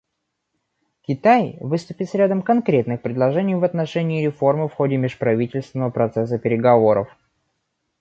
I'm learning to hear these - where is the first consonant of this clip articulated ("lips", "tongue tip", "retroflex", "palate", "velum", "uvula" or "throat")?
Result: velum